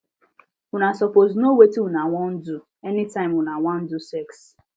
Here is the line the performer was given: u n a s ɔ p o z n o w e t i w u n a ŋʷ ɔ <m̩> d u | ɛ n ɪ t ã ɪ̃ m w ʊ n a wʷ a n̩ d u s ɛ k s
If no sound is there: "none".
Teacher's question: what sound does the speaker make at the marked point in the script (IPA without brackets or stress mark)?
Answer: n̩